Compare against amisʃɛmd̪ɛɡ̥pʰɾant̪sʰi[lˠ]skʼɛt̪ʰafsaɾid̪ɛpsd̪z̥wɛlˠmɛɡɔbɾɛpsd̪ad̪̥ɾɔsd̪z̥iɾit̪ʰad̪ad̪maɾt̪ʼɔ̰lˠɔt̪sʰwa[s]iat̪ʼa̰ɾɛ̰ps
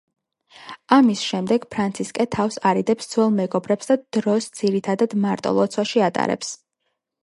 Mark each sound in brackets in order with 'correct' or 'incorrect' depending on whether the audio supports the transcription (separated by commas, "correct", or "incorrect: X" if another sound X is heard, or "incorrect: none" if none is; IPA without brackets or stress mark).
incorrect: none, incorrect: ʃ